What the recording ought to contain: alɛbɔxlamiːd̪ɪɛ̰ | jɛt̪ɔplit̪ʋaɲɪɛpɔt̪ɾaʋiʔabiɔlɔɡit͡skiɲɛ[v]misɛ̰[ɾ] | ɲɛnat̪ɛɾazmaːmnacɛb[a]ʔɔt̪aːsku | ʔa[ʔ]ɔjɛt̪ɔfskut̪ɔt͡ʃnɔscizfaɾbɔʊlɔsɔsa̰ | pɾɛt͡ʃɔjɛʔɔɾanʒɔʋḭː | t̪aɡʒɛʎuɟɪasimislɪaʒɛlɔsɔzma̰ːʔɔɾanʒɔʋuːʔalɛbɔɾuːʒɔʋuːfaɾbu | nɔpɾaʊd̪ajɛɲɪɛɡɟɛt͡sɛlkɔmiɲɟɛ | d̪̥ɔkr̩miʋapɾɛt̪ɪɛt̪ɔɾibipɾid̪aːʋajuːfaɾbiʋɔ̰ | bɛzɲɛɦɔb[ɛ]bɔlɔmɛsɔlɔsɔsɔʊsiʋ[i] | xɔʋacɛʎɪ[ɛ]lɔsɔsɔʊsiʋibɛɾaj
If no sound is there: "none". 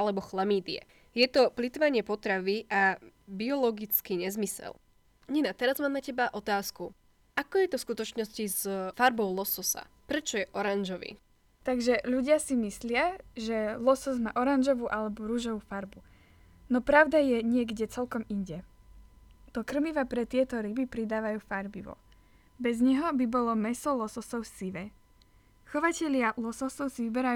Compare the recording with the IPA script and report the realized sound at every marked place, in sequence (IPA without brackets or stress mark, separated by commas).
z, l, a, k, i, ɛ, a